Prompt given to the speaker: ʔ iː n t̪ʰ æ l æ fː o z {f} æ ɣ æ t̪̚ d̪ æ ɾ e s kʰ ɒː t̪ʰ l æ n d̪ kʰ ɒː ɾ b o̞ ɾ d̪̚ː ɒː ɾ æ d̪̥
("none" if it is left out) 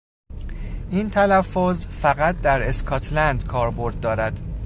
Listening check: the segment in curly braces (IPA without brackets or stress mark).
f